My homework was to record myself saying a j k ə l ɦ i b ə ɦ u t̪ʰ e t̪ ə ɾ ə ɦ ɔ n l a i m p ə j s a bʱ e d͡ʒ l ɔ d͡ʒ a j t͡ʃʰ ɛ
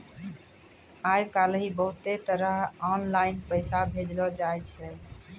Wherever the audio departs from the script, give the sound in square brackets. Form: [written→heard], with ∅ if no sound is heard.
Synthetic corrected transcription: a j k [ə→a] l ɦ i b ə ɦ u [t̪ʰ→t̪] e t̪ ə ɾ ə ɦ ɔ n l a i [m→n] p ə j s a bʱ e d͡ʒ l ɔ d͡ʒ a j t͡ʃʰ ɛ